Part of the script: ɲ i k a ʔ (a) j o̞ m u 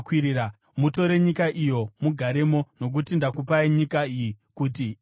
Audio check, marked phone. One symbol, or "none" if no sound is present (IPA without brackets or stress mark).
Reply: i